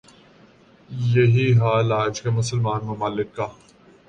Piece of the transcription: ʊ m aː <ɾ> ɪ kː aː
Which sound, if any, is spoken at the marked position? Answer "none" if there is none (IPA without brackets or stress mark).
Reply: l